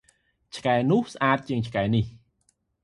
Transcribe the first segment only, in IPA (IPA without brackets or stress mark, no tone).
t͡ɕʰ